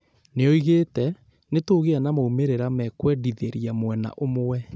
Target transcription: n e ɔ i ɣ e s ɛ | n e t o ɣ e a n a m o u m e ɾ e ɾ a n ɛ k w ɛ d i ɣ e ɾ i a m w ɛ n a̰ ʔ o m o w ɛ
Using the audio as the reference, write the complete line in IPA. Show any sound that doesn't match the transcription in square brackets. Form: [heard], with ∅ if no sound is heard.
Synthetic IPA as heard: n e ɔ i ɣ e [t] ɛ | n e t o ɣ e a n a m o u m e ɾ e ɾ a [m] ɛ k w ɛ d i [ð] e ɾ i a m w ɛ n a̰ ʔ o m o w ɛ